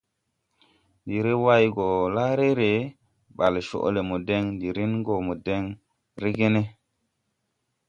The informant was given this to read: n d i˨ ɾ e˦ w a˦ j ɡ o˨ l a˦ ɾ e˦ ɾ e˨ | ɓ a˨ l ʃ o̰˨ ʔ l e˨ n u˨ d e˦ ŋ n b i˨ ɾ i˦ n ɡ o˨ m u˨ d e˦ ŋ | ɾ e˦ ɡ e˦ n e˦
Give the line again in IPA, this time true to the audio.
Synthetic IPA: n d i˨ ɾ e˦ w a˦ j ɡ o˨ l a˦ ɾ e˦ ɾ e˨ | ɓ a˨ l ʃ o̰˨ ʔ l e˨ m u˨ d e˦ ŋ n d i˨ ɾ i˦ n ɡ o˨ m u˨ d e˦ ŋ | ɾ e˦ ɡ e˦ n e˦